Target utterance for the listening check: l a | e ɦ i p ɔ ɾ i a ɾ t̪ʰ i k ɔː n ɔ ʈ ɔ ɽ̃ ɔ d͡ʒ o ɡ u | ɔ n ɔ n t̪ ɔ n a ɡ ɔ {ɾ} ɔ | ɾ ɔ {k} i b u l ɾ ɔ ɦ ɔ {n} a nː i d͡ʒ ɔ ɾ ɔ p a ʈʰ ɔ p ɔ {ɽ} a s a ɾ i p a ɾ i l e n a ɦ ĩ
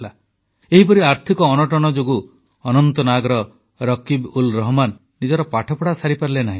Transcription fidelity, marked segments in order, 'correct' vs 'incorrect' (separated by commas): correct, correct, incorrect, correct